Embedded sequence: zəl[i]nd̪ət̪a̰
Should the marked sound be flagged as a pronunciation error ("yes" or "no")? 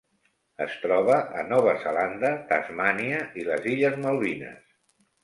yes